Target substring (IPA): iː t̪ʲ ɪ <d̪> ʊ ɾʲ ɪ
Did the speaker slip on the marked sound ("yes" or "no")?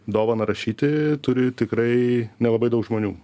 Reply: yes